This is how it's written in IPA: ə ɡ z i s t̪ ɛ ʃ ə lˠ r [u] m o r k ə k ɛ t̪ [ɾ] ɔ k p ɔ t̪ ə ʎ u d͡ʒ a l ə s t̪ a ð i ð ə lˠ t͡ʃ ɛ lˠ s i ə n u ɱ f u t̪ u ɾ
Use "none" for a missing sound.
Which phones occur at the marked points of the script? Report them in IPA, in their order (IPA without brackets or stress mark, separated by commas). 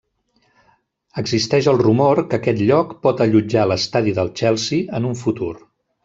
u, ʎ